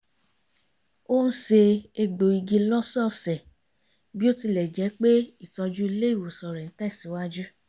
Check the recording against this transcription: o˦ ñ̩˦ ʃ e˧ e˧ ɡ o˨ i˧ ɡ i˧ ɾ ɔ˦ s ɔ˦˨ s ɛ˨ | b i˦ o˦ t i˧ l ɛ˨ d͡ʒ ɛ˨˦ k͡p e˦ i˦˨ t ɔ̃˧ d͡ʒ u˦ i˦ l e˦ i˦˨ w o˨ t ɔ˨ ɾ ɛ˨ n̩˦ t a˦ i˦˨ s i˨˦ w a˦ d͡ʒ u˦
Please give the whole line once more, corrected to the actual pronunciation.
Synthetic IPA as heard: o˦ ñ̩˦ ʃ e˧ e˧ ɡ͡b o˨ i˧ ɡ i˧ l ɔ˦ s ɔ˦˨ s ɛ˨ | b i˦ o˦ t i˧ l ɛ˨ d͡ʒ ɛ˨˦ k͡p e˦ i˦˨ t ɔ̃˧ d͡ʒ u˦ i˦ l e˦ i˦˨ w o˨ s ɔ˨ ɾ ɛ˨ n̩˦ t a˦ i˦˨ s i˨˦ w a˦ d͡ʒ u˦